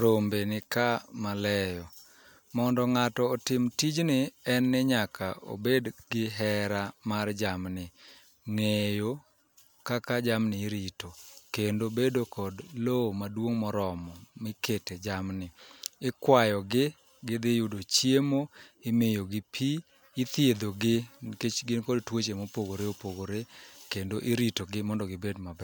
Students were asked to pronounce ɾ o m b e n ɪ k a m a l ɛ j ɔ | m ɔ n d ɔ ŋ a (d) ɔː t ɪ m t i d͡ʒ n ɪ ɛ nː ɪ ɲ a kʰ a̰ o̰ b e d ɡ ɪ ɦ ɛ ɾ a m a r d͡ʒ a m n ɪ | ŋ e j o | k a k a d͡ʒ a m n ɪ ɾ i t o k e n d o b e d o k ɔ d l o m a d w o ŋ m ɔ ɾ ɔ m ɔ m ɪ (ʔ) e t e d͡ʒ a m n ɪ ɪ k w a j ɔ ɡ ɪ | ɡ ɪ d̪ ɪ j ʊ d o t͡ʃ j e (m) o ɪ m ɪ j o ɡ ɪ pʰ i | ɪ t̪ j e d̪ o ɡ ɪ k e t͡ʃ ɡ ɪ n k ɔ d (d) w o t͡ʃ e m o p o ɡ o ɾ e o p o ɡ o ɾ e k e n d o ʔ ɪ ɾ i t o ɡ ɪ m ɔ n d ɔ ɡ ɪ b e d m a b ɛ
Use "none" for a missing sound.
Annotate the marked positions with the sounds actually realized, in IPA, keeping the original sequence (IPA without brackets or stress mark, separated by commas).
t, k, m, t